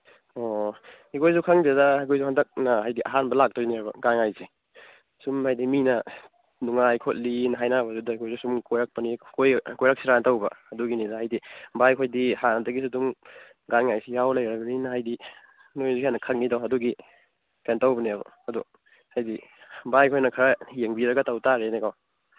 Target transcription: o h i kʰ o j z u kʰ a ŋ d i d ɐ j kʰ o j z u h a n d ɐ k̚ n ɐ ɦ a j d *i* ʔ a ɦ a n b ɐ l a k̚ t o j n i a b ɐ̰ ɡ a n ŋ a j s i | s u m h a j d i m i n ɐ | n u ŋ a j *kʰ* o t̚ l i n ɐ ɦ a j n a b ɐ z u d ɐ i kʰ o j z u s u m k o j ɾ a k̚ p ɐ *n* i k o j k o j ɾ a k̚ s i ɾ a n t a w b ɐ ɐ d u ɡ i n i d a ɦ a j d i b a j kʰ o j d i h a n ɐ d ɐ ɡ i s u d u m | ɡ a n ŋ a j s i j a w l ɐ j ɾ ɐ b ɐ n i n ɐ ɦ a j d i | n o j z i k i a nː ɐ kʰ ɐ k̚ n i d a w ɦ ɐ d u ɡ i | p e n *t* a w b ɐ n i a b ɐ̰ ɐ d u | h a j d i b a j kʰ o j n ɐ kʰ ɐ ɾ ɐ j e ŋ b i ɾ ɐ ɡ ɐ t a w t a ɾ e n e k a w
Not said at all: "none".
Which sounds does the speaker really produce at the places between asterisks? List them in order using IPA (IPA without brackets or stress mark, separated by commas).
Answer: i, kʰ, n, t